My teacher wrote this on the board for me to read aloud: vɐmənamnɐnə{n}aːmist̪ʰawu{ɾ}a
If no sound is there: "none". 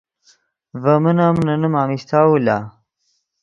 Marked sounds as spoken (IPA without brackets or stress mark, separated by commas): m, l